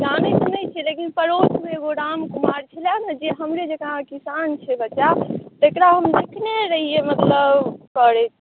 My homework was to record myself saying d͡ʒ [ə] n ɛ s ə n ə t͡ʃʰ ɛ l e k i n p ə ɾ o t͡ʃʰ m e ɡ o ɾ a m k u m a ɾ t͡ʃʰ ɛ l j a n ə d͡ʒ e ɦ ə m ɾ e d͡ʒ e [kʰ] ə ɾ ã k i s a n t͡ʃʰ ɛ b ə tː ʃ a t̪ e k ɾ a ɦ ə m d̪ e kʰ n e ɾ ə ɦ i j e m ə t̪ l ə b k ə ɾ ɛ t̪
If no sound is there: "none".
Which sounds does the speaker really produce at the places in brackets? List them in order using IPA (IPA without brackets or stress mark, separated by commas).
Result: a, k